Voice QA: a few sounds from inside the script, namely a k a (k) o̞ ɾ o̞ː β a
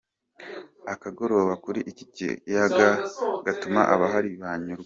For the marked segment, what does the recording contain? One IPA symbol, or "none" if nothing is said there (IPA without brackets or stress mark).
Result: ɡ